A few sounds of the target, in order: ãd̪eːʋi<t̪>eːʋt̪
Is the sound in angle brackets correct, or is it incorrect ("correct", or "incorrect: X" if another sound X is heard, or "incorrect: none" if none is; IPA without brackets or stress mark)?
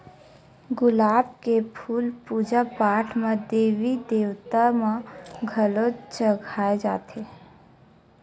incorrect: d̪